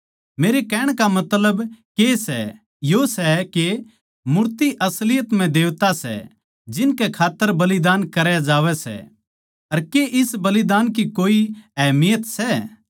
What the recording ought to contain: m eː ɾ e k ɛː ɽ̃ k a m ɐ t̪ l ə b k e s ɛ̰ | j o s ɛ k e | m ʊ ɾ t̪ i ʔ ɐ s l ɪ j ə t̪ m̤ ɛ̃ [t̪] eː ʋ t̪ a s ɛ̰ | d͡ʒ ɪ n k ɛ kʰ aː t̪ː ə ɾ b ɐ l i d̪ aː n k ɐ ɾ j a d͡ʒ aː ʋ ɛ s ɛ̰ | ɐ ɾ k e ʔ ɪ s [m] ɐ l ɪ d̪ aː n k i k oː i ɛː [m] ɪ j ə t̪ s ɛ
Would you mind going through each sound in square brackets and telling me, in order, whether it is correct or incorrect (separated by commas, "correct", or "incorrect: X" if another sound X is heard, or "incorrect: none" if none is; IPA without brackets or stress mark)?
incorrect: d̪, incorrect: b, correct